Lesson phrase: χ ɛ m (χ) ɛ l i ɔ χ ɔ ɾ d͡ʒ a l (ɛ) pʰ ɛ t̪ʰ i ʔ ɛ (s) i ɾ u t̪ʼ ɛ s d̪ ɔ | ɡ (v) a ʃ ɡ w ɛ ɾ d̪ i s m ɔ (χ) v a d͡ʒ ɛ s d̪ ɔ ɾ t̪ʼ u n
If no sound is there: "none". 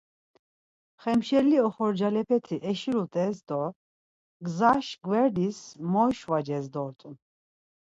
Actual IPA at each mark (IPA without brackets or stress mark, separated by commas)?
ʃ, ɛ, ʃ, z, ʃ